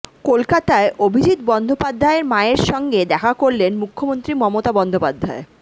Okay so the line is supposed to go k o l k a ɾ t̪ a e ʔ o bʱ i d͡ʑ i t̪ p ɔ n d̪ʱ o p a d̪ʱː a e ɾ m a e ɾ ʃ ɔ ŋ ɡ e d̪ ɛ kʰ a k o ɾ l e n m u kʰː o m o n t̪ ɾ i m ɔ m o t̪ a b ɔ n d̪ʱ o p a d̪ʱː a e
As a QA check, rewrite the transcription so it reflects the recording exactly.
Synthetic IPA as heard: k o l k a t̪ a e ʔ o bʱ i d͡ʑ i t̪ b ɔ n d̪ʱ o p a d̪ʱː a e ɾ m a e ɾ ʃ ɔ ŋ ɡ e d̪ ɛ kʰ a k o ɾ l e n m u kʰː o m o n t̪ ɾ i m ɔ m o t̪ a b ɔ n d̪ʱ o p a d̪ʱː a e